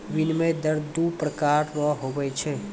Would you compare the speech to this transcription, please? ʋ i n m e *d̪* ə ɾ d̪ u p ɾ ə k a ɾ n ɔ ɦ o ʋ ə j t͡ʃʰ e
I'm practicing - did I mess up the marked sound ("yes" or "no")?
no